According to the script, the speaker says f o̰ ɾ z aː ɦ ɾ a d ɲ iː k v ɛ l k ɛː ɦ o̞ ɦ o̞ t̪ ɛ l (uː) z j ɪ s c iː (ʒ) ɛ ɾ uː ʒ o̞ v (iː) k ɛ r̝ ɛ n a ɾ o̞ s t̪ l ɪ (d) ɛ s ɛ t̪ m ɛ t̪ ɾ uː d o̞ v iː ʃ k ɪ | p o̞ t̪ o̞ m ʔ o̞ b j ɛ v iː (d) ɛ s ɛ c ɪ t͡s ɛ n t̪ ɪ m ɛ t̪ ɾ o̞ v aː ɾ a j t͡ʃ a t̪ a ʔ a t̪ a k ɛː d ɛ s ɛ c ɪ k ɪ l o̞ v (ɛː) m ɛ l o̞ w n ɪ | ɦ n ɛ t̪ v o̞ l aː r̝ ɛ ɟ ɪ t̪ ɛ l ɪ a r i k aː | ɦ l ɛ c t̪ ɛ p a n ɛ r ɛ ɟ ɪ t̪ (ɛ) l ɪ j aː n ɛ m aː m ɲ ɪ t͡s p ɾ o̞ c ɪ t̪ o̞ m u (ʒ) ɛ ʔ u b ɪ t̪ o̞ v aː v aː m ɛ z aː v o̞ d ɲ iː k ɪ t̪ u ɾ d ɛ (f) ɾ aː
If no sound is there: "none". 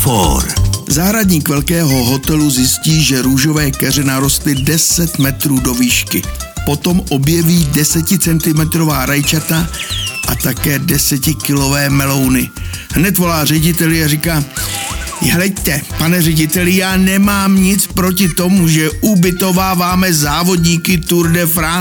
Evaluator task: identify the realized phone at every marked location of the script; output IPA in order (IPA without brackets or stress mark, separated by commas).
u, ʒ, ɛː, d, d, ɛː, ɛ, ʒ, f